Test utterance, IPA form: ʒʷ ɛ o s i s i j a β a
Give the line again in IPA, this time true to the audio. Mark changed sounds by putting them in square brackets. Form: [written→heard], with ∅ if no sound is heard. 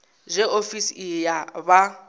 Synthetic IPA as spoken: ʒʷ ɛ o [s→f] i s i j a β a